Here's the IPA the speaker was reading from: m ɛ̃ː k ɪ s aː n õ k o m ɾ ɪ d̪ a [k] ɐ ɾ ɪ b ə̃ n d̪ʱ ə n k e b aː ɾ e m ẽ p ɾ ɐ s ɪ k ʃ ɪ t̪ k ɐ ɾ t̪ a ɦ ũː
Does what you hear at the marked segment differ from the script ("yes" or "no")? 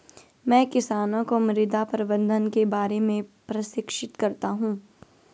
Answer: yes